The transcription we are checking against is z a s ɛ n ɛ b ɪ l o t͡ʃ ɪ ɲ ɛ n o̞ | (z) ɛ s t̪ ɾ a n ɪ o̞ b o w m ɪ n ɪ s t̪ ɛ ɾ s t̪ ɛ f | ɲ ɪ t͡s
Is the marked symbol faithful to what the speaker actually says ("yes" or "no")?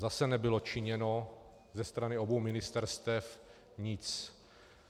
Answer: yes